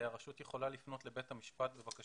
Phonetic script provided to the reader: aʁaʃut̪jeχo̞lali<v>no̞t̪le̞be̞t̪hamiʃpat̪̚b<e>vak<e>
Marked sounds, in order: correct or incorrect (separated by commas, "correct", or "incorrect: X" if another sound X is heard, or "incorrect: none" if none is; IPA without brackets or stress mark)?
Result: incorrect: f, correct, incorrect: a